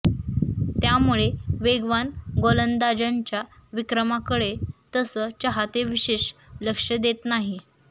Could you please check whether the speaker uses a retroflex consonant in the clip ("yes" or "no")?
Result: yes